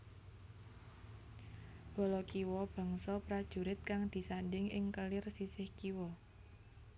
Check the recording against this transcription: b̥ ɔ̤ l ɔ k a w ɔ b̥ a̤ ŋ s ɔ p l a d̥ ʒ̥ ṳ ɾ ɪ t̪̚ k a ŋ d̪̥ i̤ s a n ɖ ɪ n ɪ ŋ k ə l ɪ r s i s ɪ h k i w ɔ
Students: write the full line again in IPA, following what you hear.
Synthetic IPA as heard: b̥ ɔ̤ l ɔ k i w ɔ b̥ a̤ ŋ s ɔ p ɾ a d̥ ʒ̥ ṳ ɾ ɪ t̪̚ k a ŋ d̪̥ i̤ s a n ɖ ɪ ŋ ɪ ŋ k ə l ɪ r s i s ɪ h k i w ɔ